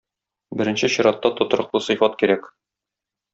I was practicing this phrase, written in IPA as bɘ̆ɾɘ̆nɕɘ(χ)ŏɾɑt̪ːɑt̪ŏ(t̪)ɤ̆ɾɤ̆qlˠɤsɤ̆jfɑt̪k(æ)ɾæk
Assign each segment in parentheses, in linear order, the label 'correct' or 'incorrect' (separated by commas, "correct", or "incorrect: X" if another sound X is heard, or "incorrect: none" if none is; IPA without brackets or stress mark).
incorrect: ɕ, correct, incorrect: i